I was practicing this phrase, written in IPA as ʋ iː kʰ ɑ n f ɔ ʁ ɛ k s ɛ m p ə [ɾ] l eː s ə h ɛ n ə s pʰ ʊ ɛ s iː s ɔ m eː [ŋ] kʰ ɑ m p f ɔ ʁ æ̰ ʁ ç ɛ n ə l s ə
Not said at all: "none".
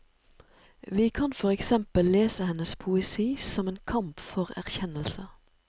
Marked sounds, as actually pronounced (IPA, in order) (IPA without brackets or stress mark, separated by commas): l, n